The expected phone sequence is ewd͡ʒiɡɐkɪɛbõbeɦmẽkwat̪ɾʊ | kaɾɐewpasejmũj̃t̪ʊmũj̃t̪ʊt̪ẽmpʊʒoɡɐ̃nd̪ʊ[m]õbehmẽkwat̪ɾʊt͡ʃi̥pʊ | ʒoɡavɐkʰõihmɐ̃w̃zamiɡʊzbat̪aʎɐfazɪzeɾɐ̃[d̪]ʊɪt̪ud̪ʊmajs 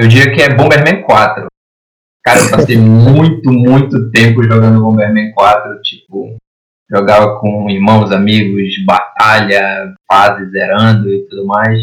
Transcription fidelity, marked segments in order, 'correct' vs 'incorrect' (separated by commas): incorrect, correct